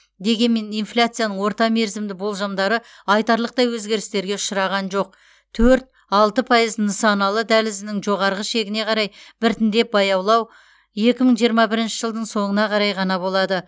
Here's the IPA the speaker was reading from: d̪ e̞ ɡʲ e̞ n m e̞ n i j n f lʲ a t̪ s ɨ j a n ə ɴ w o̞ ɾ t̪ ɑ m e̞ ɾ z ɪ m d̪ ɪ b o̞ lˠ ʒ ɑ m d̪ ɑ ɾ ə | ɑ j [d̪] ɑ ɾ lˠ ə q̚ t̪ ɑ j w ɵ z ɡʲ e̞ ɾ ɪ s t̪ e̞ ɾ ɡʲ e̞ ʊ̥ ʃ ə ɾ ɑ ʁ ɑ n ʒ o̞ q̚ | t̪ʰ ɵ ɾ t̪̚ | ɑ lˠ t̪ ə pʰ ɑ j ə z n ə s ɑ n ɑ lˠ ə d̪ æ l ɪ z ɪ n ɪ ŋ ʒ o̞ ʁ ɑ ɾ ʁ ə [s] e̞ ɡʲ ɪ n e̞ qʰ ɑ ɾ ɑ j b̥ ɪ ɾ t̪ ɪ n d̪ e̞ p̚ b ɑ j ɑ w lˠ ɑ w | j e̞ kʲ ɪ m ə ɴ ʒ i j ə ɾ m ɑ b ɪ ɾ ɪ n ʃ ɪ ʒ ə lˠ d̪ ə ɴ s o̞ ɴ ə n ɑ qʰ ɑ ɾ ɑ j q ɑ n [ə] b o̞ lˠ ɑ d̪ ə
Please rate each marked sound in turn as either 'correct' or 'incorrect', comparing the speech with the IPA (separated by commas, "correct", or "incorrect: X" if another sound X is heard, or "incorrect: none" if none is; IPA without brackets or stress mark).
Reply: incorrect: t̪, incorrect: ʃ, incorrect: ɑ